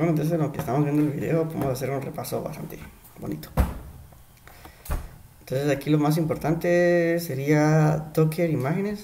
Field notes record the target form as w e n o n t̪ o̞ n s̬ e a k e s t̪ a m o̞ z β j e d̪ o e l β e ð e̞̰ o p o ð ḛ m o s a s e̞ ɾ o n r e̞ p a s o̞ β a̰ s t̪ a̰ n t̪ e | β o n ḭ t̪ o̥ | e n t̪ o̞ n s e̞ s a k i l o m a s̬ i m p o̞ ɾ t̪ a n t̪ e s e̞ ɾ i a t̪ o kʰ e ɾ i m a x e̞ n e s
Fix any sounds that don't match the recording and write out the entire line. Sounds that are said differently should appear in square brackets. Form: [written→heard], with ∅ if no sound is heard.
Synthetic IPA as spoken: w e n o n t̪ o̞ n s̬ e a k e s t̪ a m o̞ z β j e d̪ o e l β [e→i] ð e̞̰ o p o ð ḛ m o s a s e̞ ɾ [o→u] n r e̞ p a s o̞ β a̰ s t̪ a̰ n t̪ e | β o n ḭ t̪ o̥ | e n t̪ o̞ n s e̞ s a k i l o m a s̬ i m p o̞ ɾ t̪ a n t̪ e s e̞ ɾ i a t̪ o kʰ e ɾ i m a x e̞ n e s